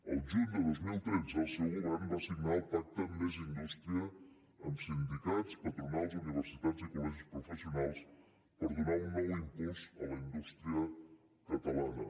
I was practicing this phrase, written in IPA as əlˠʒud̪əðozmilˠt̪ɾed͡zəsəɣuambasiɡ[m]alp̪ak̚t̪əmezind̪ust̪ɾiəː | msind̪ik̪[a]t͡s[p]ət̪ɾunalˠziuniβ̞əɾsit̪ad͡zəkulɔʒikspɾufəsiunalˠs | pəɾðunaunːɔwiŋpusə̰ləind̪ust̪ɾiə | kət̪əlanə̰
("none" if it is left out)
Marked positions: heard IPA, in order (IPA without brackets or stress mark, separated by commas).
n, a, p